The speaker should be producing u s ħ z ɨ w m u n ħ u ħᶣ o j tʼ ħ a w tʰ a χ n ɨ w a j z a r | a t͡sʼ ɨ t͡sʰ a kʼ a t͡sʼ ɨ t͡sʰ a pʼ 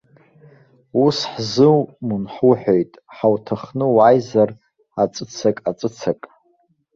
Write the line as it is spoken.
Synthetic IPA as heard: u s ħ z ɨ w m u n ħ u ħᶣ o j tʼ ħ a w tʰ a χ n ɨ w a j z a r | a t͡sʼ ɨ t͡sʰ a kʼ a t͡sʼ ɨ t͡sʰ a kʼ